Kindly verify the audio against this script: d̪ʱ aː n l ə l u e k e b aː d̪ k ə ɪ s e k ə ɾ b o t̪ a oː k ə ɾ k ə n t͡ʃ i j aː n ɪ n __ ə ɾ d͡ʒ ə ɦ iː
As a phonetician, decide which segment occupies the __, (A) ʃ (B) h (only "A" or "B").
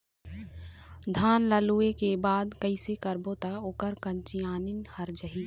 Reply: B